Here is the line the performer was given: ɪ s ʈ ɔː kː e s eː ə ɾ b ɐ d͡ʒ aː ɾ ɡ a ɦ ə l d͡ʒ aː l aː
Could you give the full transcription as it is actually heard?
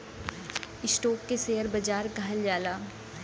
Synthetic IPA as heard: ɪ s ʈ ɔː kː e s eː ə ɾ b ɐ d͡ʒ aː ɾ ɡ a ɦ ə l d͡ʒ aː l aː